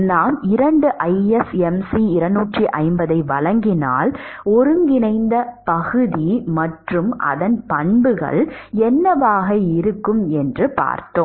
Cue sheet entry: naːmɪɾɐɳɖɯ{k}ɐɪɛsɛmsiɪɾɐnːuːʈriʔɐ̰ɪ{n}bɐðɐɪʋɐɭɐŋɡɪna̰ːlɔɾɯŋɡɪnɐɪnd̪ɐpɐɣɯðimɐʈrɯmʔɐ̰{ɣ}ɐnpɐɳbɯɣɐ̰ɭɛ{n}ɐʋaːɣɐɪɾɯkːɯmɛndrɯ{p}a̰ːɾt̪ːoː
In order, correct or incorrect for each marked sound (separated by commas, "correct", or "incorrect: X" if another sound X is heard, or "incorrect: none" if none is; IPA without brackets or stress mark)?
incorrect: ʔ, incorrect: m, incorrect: ð, incorrect: nː, correct